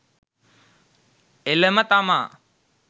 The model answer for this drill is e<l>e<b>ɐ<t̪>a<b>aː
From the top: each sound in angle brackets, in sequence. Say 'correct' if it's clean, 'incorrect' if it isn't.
correct, incorrect: m, correct, incorrect: m

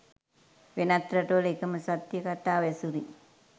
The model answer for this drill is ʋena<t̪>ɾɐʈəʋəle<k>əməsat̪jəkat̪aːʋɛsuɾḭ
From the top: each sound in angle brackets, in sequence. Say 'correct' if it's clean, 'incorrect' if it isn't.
correct, correct

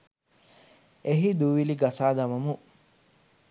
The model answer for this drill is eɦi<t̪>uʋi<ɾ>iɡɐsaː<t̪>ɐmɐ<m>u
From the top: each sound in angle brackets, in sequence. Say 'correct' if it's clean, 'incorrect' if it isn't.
incorrect: d̪, incorrect: l, incorrect: d̪, correct

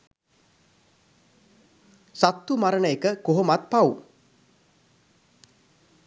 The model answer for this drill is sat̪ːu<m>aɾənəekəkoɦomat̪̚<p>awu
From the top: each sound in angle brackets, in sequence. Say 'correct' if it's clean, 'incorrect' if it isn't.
correct, correct

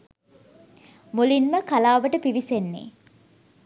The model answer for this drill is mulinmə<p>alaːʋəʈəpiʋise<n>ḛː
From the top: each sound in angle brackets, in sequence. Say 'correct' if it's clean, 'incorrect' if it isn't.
incorrect: k, incorrect: nː

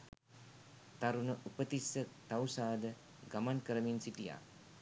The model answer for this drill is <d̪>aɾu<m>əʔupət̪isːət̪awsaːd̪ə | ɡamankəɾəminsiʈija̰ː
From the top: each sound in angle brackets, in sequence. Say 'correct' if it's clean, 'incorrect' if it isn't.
incorrect: t̪, incorrect: n

